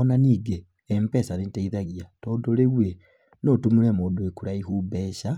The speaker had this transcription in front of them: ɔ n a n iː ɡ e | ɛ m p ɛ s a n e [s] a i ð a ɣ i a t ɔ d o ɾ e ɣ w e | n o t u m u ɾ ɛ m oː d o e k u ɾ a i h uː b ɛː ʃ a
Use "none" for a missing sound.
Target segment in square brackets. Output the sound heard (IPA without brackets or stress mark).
t